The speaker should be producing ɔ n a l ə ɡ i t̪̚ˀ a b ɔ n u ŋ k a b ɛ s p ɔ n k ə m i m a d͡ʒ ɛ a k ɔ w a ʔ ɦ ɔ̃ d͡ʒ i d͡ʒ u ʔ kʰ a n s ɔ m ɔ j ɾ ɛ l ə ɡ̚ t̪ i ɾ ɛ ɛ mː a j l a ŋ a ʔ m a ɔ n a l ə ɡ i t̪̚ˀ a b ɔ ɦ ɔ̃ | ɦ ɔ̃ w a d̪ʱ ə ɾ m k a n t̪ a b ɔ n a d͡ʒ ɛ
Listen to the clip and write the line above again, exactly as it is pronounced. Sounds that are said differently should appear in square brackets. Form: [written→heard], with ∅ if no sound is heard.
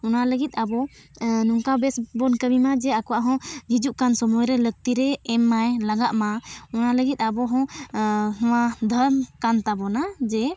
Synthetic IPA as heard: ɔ n a l ə ɡ i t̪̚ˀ a b ɔ n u ŋ k a b ɛ s [p→b] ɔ n k ə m i m a d͡ʒ ɛ a k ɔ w a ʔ ɦ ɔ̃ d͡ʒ i d͡ʒ u ʔ [kʰ→k] a n s ɔ m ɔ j ɾ ɛ l ə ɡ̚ t̪ i ɾ ɛ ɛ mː a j l a [ŋ→ɡ] a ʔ m a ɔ n a l ə ɡ i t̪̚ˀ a b ɔ ɦ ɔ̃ | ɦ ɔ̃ w a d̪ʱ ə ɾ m k a n t̪ a b ɔ n a d͡ʒ ɛ